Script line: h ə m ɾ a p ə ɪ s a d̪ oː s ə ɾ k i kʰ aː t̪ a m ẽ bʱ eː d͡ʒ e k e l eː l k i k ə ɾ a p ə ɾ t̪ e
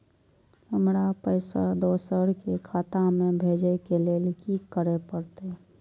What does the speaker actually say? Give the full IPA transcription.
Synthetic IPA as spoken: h ə m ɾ a p ə ɪ s a d̪ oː s ə ɾ k e kʰ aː t̪ a m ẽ bʱ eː d͡ʒ e k e l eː l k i k ə ɾ e p ə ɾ t̪ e

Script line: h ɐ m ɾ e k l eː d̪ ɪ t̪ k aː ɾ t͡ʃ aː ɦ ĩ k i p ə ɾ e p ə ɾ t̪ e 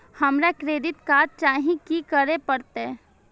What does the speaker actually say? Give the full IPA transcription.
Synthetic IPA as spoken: h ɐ m ɾ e k ɾ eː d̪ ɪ t̪ k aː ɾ t͡ʃ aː ɦ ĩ k i k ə ɾ e p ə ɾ t̪ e

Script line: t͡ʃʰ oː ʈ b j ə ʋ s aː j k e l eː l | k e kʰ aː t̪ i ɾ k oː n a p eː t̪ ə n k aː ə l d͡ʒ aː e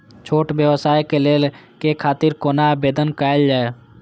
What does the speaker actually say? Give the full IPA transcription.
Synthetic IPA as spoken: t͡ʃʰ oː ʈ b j ə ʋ s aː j k e l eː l | k e kʰ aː t̪ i ɾ k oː n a b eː d̪ ə n k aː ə l d͡ʒ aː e

